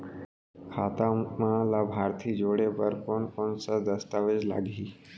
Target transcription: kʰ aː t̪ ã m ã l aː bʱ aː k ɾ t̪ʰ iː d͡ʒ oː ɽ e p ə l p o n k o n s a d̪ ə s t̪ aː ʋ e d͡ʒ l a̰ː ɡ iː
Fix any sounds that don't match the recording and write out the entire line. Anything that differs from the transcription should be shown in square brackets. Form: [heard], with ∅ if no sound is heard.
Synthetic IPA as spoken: kʰ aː t̪ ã m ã l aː bʱ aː [∅] ɾ t̪ʰ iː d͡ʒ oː ɽ e p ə [ɾ] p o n k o n s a d̪ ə s t̪ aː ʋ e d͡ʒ l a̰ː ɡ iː